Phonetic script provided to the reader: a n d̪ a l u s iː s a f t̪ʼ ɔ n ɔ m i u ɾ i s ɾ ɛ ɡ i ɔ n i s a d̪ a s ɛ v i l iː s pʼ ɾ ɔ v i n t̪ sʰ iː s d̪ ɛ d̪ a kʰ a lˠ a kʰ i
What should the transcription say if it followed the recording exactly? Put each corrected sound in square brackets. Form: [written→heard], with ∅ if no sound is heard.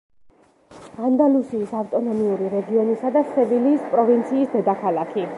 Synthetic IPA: a n d̪ a l u s iː s a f t̪ʼ ɔ n ɔ m i u ɾ i [s→∅] ɾ ɛ ɡ i ɔ n i s a d̪ a s ɛ v i l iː s pʼ ɾ ɔ v i n t̪ sʰ iː s d̪ ɛ d̪ a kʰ a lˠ a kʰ i